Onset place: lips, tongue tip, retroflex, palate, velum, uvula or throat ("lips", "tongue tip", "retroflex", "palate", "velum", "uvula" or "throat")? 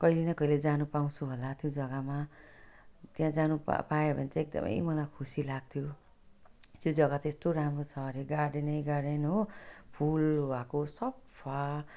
velum